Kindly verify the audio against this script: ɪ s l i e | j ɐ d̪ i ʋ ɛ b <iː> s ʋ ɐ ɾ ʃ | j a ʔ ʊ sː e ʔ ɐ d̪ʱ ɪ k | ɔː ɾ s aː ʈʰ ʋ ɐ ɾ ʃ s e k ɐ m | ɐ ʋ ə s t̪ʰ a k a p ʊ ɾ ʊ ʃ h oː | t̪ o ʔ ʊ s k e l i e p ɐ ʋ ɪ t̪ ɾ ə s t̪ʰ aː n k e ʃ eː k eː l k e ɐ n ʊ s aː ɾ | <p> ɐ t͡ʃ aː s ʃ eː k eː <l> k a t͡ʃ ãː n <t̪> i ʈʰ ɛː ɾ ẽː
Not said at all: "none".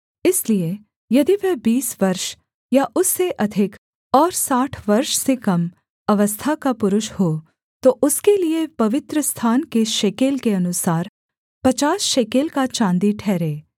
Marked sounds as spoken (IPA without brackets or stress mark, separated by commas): iː, p, l, d̪